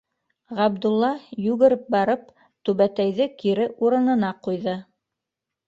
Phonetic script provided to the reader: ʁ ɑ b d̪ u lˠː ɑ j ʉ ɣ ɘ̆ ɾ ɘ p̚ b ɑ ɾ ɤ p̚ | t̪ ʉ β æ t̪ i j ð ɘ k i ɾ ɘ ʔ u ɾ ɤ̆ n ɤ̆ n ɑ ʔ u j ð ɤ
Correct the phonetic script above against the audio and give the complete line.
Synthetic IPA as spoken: ʁ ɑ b d̪ u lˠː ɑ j ʉ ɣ ɘ̆ ɾ ɘ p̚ b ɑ ɾ ɤ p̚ | t̪ ʉ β æ t̪ æ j ð ɘ k i ɾ ɘ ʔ u ɾ ɤ̆ n ɤ̆ n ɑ q u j ð ɤ